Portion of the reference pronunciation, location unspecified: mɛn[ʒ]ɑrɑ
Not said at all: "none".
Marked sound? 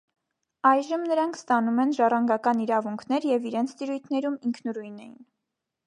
ʒ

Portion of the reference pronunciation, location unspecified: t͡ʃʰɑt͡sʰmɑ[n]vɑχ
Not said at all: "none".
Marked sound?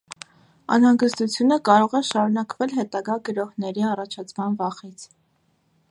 n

